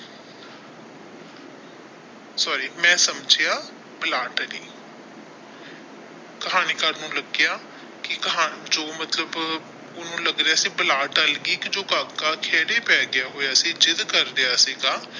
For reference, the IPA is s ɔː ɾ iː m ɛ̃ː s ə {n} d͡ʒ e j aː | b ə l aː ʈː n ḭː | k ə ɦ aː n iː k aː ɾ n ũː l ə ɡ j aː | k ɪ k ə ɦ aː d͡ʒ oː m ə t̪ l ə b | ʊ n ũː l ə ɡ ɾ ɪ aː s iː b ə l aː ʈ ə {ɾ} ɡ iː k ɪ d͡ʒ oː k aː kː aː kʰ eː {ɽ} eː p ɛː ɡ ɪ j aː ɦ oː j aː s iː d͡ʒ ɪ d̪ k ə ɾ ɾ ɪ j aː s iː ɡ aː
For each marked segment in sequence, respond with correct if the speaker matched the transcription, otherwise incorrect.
incorrect: m, incorrect: l, correct

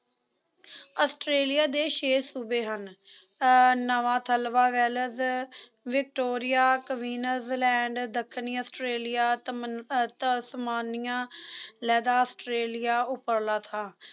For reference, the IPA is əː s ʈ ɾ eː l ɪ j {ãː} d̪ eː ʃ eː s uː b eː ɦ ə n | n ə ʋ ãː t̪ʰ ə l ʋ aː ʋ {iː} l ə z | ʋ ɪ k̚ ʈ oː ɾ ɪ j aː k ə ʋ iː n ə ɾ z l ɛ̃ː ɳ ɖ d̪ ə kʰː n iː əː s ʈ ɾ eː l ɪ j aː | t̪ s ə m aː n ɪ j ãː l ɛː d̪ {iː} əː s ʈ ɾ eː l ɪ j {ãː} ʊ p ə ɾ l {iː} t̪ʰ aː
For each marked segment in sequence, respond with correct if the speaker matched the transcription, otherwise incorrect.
incorrect: aː, incorrect: ɛː, incorrect: aː, incorrect: aː, incorrect: aː

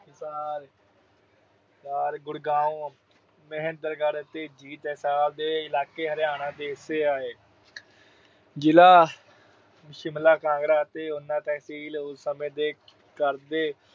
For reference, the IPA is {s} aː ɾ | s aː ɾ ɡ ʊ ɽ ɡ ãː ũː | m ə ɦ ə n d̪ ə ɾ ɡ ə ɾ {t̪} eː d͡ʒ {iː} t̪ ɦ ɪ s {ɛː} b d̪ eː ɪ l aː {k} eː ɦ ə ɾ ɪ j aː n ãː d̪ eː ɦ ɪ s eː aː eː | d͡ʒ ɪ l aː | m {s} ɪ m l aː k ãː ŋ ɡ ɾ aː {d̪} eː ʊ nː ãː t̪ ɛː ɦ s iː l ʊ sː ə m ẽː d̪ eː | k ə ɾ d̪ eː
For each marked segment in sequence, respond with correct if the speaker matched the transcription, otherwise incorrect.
correct, correct, correct, incorrect: aː, correct, incorrect: ʃ, incorrect: t̪

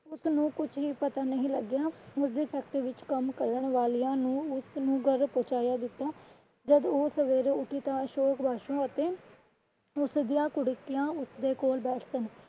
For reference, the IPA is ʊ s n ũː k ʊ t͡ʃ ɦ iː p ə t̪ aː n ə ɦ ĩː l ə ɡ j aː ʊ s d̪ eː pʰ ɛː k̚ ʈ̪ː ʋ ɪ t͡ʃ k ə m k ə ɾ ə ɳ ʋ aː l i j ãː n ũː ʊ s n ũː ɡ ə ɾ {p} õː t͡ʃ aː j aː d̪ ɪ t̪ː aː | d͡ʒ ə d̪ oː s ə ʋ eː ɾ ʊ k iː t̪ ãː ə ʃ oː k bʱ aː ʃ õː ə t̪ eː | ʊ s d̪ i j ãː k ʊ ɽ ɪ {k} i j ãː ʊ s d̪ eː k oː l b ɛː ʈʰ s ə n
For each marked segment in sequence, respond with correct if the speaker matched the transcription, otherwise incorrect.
correct, correct

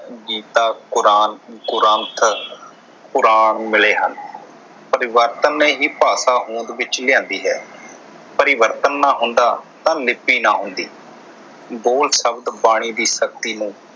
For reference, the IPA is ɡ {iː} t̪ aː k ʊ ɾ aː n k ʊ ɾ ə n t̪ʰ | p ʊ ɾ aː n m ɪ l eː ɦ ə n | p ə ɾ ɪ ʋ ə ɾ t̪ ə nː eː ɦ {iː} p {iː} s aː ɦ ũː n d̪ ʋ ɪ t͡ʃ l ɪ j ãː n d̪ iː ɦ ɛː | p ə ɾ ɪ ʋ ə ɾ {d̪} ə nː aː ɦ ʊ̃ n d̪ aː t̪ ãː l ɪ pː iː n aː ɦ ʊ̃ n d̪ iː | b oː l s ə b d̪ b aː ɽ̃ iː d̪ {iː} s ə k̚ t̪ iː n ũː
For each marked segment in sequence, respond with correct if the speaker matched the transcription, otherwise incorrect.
correct, correct, incorrect: aː, incorrect: t̪, correct

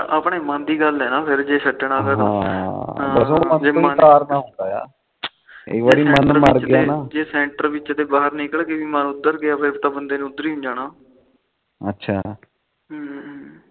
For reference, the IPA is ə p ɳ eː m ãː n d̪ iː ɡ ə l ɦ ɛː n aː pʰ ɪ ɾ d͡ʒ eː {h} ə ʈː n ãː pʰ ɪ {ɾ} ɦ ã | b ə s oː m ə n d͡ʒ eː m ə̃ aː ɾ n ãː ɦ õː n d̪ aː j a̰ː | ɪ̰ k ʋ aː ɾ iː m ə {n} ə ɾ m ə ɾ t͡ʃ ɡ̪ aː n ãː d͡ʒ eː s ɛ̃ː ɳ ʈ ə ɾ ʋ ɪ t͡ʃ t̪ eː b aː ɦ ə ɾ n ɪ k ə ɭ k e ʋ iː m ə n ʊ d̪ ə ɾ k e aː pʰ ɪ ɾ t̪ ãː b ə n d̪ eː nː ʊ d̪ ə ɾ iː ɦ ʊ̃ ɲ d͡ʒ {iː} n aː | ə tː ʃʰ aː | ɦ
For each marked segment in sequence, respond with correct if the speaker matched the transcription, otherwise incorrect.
incorrect: s, correct, correct, incorrect: aː

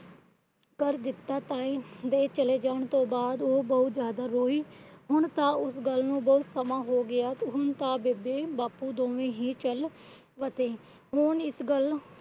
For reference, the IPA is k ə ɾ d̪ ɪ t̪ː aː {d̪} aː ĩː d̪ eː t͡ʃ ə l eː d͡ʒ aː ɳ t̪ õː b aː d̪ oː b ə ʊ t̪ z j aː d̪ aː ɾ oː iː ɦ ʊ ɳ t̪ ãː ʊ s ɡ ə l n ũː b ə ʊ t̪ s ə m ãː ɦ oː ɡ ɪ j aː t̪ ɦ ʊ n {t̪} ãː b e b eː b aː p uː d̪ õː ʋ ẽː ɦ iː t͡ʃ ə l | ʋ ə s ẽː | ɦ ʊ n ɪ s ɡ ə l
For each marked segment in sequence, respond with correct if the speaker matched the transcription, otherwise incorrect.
incorrect: t̪, correct

